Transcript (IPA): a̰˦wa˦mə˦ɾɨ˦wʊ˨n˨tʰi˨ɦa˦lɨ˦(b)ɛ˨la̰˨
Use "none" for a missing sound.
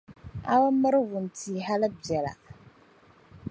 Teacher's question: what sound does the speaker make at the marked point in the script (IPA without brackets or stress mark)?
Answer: b